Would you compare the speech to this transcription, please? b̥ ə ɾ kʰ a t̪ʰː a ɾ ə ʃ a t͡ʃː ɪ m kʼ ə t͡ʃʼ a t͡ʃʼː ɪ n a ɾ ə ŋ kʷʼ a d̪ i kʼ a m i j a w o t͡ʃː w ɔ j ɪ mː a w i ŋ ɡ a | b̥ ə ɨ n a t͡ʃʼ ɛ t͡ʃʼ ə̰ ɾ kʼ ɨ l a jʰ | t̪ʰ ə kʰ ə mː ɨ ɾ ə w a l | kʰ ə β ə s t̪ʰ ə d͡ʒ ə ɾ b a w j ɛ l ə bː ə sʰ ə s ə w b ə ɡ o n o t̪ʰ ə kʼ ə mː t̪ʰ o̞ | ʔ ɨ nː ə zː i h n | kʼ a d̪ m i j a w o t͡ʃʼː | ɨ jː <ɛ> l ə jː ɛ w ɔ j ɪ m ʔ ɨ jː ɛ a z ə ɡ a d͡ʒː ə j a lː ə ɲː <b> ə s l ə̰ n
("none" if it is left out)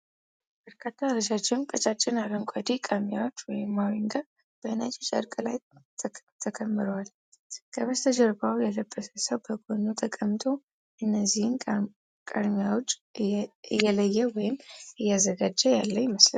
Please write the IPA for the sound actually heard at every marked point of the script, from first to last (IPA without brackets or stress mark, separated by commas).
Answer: ɛ, m